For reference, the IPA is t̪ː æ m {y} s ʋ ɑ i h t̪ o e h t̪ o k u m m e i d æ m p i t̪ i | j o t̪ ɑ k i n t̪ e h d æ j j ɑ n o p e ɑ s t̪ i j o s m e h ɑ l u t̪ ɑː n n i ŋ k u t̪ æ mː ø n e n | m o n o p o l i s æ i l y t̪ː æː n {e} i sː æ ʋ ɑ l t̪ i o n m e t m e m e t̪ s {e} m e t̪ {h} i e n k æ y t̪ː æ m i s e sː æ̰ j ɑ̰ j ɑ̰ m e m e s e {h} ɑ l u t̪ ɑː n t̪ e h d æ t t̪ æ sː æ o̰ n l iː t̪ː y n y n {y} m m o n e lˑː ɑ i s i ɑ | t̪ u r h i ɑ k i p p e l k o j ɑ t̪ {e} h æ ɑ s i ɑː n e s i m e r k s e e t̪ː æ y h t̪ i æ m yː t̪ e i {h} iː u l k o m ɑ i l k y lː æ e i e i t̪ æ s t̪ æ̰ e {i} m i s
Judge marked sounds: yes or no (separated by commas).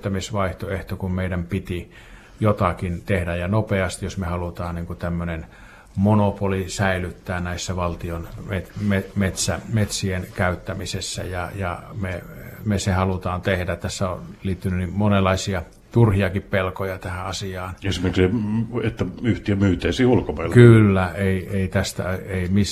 no, no, no, no, yes, no, no, no, yes